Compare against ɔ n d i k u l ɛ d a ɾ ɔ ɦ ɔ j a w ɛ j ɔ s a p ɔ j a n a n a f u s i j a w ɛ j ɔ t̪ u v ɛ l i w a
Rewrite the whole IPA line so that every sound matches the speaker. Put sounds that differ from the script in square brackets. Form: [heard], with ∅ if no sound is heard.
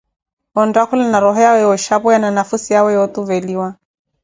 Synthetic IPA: ɔ n d [a] k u l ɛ [n] a ɾ ɔ ɦ ɔ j a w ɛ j ɔ [ʃ] a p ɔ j a n a n a f u s i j a w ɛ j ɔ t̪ u v ɛ l i w a